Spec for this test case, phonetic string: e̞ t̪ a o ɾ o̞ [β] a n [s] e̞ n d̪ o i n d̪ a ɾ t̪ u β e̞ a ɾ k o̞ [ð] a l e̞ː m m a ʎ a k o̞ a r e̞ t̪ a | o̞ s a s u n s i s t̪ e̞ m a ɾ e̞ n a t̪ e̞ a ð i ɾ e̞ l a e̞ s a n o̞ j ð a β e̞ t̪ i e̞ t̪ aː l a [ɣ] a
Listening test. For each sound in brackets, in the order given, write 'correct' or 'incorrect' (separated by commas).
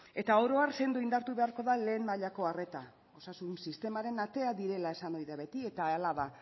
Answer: incorrect, correct, correct, incorrect